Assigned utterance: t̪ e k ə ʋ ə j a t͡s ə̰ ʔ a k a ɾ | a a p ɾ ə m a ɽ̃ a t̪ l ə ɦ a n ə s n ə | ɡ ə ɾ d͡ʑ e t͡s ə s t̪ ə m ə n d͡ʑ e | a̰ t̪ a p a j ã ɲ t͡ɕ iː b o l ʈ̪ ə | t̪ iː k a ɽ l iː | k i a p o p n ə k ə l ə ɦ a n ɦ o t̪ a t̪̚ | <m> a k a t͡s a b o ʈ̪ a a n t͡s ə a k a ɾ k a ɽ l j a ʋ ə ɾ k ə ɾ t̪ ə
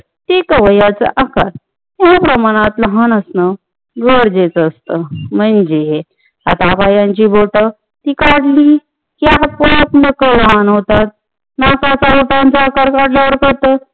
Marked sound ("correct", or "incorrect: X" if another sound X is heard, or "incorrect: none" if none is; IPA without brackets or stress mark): incorrect: n